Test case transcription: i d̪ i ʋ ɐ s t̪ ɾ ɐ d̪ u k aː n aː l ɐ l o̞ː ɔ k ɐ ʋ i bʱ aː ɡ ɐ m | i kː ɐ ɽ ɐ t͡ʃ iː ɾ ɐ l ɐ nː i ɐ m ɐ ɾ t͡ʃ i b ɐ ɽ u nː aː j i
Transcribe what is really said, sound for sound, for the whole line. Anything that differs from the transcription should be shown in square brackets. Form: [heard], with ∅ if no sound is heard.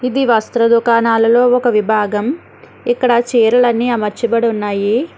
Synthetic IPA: i d̪ i ʋ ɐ s t̪ ɾ ɐ d̪ u k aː n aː l ɐ l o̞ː ɔ k ɐ ʋ i bʱ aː ɡ ɐ m | i kː ɐ ɽ ɐ t͡ʃ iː ɾ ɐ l ɐ nː i ɐ m ɐ ɾ t͡ʃ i b ɐ ɽ u nː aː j i

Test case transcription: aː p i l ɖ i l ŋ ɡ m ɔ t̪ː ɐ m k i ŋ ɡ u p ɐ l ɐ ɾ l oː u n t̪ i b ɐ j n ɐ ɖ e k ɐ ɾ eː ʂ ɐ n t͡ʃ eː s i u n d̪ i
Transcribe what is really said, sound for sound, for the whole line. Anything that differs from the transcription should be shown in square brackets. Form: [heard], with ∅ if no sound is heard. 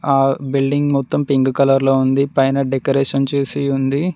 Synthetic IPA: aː [b] i l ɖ i [∅] ŋ ɡ m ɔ t̪ː ɐ m [p] i ŋ ɡ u [k] ɐ l ɐ ɾ l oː u n [d̪] i [p] ɐ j n ɐ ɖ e k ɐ ɾ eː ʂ ɐ n t͡ʃ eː s i u n d̪ i

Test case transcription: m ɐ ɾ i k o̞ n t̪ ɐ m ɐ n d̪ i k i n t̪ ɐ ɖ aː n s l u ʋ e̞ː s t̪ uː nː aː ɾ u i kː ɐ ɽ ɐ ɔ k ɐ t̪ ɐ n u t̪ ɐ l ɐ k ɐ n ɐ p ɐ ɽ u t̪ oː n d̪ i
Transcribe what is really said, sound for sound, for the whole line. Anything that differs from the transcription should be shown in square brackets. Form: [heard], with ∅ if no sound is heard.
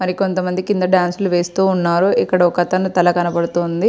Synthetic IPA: m ɐ ɾ i k o̞ n t̪ ɐ m ɐ n d̪ i k i n [d̪] ɐ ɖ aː n s l u ʋ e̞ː s t̪ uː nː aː ɾ u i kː ɐ ɽ ɐ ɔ k ɐ t̪ ɐ n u t̪ ɐ l ɐ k ɐ n ɐ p ɐ ɽ u t̪ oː n d̪ i

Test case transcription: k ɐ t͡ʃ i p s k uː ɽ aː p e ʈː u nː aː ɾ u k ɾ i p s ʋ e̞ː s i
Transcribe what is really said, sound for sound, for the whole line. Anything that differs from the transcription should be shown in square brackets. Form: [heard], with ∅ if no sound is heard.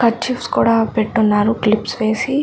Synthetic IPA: k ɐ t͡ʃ i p s k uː ɽ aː p e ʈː u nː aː ɾ u k [l] i p s ʋ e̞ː s i

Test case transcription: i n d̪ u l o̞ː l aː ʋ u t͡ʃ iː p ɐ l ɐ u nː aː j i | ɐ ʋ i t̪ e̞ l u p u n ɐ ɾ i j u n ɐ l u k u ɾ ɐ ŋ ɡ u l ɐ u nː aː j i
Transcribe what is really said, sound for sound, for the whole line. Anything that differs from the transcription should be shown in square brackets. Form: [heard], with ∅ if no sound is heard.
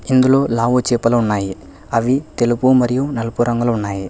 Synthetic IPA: i n d̪ u l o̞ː l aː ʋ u t͡ʃ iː p ɐ l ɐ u nː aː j i | ɐ ʋ i t̪ e̞ l u p u [m] ɐ ɾ i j u n ɐ l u [p] u ɾ ɐ ŋ ɡ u l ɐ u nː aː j i

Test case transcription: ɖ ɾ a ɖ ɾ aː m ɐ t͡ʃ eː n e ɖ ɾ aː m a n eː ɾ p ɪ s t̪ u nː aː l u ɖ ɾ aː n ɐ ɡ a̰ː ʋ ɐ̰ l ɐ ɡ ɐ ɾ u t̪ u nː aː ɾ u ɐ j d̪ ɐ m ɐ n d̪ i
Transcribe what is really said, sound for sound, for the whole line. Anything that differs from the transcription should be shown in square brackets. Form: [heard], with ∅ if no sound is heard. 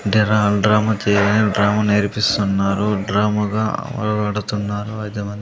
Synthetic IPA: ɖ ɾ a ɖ ɾ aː m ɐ t͡ʃ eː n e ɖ ɾ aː m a n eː ɾ p [i] s t̪ u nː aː [ɾ] u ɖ ɾ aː [m] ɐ ɡ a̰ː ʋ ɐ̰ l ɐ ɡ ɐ [ɽ] u t̪ u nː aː ɾ u ɐ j d̪ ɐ m ɐ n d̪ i

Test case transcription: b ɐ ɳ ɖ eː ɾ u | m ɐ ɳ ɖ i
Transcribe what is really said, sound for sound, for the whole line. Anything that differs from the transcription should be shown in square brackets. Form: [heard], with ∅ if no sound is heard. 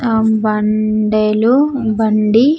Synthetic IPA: b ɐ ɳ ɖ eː [l] u | [b] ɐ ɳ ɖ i

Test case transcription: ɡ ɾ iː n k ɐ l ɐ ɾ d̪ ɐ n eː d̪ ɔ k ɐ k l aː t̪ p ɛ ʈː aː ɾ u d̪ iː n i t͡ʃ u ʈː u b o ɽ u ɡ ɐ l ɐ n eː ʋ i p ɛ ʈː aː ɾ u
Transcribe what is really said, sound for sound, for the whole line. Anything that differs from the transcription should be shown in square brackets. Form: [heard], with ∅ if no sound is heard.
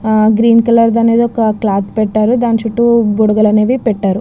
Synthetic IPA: ɡ ɾ iː n k ɐ l ɐ ɾ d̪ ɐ n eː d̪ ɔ k ɐ k l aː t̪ p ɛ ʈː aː ɾ u d̪ [aː] n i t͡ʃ u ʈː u b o ɽ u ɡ ɐ l ɐ n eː ʋ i p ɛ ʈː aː ɾ u

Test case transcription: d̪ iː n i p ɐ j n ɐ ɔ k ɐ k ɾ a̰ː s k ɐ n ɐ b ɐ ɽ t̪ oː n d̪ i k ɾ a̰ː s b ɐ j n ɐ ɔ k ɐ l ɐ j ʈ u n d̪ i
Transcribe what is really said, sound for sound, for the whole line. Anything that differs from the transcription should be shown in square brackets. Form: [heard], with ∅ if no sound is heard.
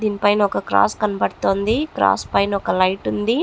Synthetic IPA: d̪ iː n i p ɐ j n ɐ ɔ k ɐ k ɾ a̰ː s k ɐ n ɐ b ɐ ɽ t̪ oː n d̪ i k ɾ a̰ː s [p] ɐ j n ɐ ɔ k ɐ l ɐ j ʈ u n d̪ i

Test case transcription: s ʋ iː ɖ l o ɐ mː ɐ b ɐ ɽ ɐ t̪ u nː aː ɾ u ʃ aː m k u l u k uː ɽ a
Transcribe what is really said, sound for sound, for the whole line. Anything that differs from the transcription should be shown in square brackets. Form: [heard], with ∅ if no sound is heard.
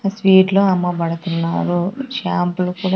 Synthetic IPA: s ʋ iː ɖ l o ɐ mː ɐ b ɐ ɽ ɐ t̪ u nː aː ɾ u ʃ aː m [p] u l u k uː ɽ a

